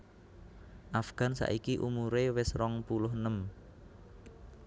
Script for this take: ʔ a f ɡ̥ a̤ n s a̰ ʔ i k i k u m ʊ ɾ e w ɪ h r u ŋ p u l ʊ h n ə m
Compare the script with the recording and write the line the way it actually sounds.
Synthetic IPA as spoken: ʔ a f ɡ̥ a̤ n s a̰ ʔ i k i ʔ u m u ɾ e w ɪ s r ɔ ŋ p u l ʊ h n ə m